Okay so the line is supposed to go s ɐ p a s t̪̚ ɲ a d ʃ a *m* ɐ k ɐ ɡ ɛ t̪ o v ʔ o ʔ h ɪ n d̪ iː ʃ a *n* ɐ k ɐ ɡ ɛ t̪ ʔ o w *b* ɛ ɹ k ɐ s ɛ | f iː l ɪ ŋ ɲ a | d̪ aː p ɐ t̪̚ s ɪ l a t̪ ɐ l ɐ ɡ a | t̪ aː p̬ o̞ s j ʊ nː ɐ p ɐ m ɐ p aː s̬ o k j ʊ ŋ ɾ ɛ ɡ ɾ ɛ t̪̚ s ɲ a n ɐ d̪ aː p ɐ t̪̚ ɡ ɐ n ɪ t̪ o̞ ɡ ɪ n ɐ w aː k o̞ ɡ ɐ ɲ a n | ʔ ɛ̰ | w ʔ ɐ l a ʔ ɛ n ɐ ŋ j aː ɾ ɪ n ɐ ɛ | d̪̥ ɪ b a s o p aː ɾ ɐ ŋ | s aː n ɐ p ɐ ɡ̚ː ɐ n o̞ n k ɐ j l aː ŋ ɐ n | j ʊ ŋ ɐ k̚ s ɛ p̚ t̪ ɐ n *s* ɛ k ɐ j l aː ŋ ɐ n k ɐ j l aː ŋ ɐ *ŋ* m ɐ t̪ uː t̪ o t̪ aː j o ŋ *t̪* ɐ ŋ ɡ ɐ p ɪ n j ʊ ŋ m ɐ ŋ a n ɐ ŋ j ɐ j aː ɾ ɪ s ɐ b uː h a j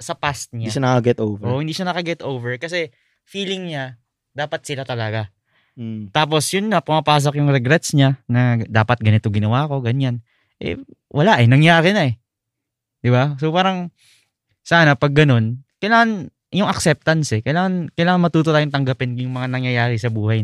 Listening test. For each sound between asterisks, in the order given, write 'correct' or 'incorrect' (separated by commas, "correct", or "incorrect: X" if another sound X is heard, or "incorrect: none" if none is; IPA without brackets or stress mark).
incorrect: n, correct, incorrect: v, correct, incorrect: n, correct